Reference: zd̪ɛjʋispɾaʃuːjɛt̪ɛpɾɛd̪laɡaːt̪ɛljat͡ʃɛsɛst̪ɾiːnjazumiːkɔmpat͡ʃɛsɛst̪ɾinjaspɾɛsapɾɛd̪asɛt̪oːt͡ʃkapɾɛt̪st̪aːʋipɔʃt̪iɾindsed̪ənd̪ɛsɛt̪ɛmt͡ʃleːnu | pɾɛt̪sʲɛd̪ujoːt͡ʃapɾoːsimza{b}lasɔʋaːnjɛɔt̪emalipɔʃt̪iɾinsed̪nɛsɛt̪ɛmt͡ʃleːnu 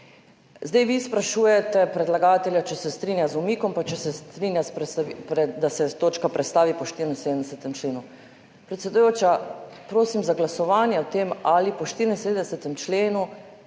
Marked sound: incorrect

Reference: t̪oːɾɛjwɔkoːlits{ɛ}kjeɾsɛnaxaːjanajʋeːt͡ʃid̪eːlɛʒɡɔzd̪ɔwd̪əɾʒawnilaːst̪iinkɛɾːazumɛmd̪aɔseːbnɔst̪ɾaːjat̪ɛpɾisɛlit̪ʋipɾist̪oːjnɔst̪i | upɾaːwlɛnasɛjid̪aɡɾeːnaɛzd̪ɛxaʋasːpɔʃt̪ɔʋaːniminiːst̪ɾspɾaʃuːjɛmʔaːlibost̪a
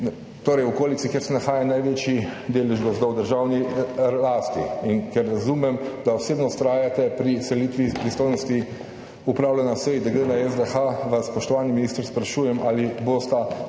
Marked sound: incorrect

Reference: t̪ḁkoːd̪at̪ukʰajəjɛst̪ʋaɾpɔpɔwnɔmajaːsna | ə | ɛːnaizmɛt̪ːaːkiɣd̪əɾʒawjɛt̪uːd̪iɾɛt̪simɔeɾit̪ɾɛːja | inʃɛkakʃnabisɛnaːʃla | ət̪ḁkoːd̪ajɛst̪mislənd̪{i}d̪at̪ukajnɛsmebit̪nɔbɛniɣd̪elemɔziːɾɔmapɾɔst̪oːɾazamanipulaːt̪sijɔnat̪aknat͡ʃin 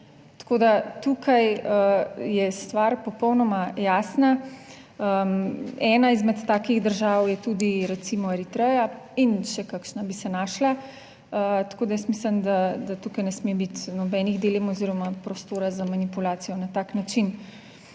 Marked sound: incorrect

